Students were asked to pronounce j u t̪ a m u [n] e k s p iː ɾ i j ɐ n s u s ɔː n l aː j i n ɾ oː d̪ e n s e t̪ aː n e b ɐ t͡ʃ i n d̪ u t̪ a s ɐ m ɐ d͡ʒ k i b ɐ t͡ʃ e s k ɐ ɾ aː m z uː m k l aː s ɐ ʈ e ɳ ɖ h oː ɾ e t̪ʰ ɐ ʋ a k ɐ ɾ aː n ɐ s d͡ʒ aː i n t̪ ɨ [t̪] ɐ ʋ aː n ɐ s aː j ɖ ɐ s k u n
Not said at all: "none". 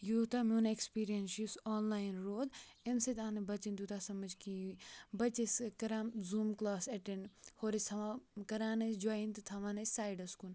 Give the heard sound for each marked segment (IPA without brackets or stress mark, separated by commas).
n, t̪ʰ